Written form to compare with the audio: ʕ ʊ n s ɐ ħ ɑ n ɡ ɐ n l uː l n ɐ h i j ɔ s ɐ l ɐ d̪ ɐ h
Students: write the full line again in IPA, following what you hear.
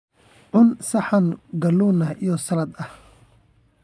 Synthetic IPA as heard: ʕ ʊ n s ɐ ħ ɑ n ɡ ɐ l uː n ɐ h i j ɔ s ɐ l ɐ d̪ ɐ h